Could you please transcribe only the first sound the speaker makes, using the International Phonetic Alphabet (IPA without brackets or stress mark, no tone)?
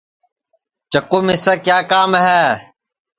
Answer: t͡ʃ